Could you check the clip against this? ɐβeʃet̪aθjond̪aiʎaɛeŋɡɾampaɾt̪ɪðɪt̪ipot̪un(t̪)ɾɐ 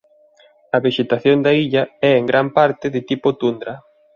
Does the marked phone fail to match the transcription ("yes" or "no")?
yes